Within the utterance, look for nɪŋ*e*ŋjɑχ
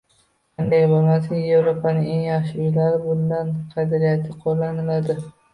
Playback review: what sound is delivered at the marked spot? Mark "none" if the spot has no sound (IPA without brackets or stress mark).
e